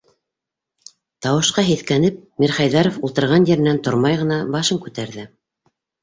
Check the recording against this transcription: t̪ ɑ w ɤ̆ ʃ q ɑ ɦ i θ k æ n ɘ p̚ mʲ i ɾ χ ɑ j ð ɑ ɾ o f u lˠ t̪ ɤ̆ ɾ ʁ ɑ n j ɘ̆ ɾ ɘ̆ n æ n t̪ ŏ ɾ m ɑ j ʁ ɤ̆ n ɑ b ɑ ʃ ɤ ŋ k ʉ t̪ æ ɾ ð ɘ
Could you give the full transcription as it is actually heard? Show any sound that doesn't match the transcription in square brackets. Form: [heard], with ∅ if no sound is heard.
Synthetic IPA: t̪ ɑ w ɤ̆ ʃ q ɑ ɦ i θ k æ n ɘ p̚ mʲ i ɾ χ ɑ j ð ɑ ɾ o f u lˠ t̪ ɤ̆ ɾ ʁ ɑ n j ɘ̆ ɾ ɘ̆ n æ n t̪ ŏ ɾ m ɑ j ʁ ɤ̆ n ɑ b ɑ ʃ ɤ ŋ k ʉ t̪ æ ɾ ð ɘ